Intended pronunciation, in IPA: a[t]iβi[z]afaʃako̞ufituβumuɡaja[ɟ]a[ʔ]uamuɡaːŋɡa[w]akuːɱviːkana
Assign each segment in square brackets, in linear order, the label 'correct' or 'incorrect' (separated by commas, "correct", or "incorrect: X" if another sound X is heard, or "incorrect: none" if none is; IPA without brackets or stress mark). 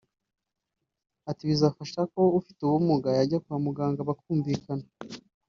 correct, correct, correct, incorrect: k, incorrect: β